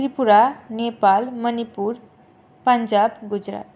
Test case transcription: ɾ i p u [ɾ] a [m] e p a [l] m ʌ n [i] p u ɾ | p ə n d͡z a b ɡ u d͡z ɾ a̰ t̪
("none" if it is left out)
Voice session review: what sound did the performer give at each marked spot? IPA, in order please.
ɾ, n, l, i

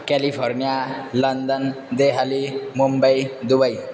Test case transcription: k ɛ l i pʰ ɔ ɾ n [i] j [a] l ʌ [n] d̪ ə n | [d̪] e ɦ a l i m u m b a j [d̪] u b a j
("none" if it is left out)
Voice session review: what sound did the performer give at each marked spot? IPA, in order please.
i, a, n, d̪, d̪

